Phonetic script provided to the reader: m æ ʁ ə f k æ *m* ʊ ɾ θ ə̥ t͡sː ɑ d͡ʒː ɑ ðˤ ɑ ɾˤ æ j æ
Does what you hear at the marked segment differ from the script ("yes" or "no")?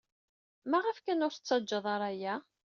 yes